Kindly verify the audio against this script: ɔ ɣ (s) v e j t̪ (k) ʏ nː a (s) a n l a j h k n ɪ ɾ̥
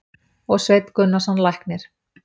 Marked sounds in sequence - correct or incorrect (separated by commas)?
correct, correct, correct